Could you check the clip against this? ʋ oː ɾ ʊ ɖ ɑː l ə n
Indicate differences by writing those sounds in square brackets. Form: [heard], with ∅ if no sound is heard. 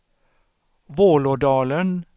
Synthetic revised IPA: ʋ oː [l] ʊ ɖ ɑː l ə n